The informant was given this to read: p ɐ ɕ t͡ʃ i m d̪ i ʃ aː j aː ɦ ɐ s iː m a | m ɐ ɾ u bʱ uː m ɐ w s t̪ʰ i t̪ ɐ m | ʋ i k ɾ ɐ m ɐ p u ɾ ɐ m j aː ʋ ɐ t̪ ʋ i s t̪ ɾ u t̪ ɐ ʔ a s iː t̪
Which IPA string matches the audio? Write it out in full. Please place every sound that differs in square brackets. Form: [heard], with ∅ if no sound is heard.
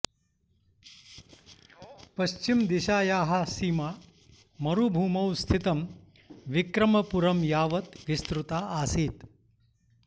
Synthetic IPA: p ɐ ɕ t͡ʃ i m d̪ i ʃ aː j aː ɦ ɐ s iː m a | m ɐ ɾ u bʱ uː m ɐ w s t̪ʰ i t̪ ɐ m | ʋ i k ɾ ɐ m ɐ p u ɾ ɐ m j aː ʋ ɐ t̪ ʋ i s t̪ ɾ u t̪ [a] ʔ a s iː t̪

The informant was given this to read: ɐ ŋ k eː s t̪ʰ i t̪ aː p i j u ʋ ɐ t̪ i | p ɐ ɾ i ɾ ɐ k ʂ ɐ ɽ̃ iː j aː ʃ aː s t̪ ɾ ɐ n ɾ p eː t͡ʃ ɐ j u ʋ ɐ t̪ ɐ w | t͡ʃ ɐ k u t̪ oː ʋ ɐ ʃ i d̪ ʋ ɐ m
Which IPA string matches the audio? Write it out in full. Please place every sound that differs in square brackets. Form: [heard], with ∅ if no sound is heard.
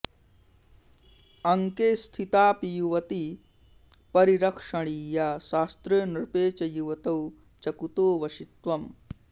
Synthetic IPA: ɐ ŋ k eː s t̪ʰ i t̪ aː p i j u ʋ ɐ t̪ i | p ɐ ɾ i ɾ ɐ k ʂ ɐ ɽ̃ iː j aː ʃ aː s t̪ ɾ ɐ n ɾ p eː t͡ʃ ɐ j u ʋ ɐ t̪ ɐ w | t͡ʃ ɐ k u t̪ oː ʋ ɐ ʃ i [t̪] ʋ ɐ m

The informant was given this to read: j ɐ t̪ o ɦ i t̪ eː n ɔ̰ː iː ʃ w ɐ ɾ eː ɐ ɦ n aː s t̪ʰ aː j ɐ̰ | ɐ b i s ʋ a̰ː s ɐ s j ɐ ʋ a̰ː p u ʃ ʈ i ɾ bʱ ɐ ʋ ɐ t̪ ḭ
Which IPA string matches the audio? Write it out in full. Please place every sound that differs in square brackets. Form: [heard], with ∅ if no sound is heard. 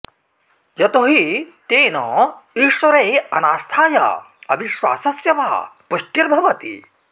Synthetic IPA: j ɐ t̪ o ɦ i t̪ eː n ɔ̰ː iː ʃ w ɐ ɾ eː ɐ [∅] n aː s t̪ʰ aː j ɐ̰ | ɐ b i [ʃ] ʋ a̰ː s ɐ s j ɐ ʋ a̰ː p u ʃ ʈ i ɾ bʱ ɐ ʋ ɐ t̪ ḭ

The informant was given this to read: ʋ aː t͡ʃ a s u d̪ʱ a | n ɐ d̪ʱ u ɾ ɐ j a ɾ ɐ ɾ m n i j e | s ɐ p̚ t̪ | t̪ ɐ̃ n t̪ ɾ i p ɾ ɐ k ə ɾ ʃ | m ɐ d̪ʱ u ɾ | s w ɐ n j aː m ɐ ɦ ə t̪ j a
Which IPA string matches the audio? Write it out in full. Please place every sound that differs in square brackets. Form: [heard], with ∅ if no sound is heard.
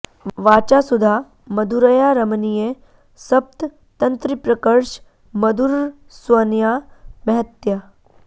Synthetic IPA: ʋ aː t͡ʃ a s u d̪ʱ a | [m] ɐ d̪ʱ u ɾ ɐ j a ɾ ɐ [∅] m n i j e | s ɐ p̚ t̪ | t̪ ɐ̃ n t̪ ɾ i p ɾ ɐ k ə ɾ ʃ | m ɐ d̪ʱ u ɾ | s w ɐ n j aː m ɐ ɦ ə t̪ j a

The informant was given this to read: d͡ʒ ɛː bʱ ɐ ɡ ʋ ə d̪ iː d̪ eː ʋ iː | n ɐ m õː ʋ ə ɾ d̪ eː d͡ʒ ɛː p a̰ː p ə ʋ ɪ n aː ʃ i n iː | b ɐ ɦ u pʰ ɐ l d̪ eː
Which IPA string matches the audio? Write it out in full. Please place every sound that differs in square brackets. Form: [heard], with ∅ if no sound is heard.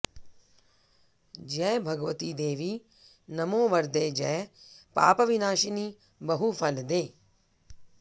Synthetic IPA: d͡ʒ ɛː bʱ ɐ ɡ ʋ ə [t̪] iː d̪ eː ʋ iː | n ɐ m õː ʋ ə ɾ d̪ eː d͡ʒ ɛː p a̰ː p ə ʋ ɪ n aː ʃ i n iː | b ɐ ɦ u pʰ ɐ l d̪ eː

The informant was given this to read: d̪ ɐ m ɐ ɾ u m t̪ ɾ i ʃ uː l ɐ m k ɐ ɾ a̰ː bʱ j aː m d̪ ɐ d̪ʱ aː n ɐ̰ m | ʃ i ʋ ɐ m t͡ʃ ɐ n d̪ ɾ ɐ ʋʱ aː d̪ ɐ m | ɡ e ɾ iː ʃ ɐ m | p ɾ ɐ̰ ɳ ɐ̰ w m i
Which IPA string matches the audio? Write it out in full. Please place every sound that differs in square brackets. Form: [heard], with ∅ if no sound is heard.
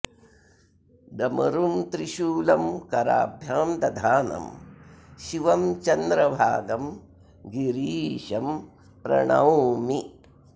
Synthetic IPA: d̪ ɐ m ɐ ɾ u m t̪ ɾ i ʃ uː l ɐ m k ɐ ɾ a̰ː bʱ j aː m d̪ ɐ d̪ʱ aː n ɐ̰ m | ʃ i ʋ ɐ m t͡ʃ ɐ n d̪ ɾ ɐ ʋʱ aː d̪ ɐ m | ɡ [i] ɾ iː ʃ ɐ m | p ɾ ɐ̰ ɳ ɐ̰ w m i

